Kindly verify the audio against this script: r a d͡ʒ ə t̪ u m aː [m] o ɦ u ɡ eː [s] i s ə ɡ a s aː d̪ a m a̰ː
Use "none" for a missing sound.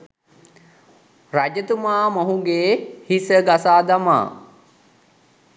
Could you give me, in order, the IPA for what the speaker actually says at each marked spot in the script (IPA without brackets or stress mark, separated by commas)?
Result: m, h